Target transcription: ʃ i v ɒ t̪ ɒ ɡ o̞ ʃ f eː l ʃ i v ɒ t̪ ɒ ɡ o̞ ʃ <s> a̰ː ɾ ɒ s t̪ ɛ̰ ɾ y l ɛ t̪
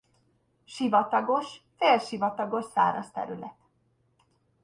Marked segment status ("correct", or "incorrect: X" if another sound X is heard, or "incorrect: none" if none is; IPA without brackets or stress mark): correct